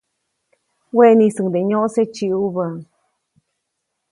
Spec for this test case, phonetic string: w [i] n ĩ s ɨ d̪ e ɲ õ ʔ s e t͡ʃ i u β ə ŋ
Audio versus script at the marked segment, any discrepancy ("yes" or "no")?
yes